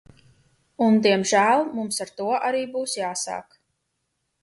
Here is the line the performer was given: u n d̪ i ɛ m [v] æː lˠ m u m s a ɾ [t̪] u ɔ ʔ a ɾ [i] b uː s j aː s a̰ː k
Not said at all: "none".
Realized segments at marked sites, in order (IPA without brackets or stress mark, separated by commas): ʒ, t̪, iː